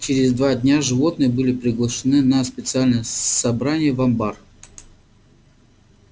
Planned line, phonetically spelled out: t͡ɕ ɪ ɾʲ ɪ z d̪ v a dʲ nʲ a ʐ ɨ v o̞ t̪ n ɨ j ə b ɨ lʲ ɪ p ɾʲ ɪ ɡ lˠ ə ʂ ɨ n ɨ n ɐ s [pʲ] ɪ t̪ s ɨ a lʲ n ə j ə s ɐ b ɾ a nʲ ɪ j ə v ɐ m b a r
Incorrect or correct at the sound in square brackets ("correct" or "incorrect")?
correct